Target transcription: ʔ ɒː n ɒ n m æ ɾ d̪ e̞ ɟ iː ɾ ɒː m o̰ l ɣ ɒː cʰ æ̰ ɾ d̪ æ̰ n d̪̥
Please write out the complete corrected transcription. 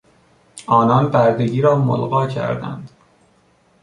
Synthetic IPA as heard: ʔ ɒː n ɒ n b æ ɾ d̪ e̞ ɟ iː ɾ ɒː m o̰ l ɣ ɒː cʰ æ̰ ɾ d̪ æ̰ n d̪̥